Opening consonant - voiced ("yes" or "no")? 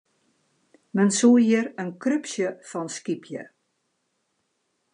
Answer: yes